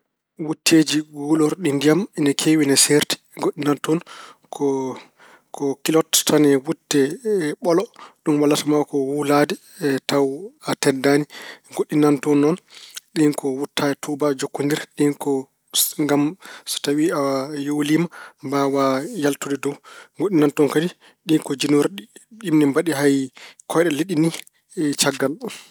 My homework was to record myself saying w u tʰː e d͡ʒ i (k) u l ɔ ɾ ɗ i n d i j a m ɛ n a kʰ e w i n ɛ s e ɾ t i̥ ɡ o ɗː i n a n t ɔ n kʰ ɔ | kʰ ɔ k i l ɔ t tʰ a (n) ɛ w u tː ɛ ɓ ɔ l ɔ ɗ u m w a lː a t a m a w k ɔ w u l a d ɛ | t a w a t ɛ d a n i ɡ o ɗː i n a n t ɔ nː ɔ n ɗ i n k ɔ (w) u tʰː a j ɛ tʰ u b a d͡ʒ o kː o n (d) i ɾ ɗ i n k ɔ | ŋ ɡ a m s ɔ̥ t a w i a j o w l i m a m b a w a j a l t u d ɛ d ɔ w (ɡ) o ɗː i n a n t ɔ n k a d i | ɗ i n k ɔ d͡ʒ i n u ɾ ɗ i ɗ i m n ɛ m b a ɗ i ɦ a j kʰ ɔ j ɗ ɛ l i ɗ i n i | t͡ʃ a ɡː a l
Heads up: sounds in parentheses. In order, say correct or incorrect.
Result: incorrect: ɡ, correct, correct, correct, correct

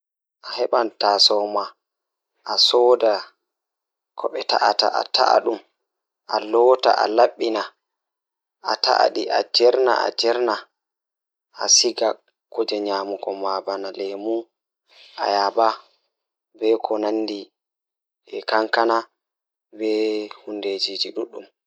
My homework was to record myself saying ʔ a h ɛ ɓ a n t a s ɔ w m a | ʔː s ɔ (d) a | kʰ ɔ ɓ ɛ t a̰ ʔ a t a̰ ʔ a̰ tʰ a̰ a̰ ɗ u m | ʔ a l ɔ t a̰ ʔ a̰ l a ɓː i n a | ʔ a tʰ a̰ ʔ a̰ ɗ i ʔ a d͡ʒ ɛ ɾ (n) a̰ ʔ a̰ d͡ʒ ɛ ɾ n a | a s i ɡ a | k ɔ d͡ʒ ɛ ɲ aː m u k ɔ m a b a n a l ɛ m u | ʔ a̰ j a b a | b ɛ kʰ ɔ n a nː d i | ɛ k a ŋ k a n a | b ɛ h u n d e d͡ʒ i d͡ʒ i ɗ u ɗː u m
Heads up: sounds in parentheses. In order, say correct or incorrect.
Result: correct, correct

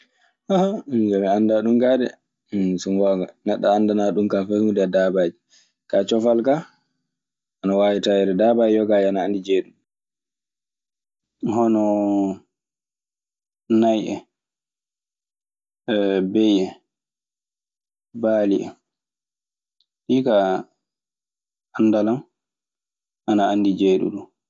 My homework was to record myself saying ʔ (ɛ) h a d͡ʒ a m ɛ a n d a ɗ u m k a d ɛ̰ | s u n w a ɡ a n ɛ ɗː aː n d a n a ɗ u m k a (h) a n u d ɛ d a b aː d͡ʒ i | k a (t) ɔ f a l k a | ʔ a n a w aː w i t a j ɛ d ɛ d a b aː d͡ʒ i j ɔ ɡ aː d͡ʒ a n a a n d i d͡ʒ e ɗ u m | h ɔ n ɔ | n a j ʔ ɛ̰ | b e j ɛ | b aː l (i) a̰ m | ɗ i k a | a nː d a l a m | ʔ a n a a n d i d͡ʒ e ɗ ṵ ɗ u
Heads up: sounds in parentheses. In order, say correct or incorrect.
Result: incorrect: a, incorrect: f, incorrect: t͡ʃ, correct

